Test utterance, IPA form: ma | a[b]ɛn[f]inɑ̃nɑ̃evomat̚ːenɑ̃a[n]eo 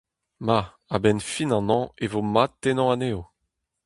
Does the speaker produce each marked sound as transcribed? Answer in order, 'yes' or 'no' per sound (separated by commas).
yes, yes, yes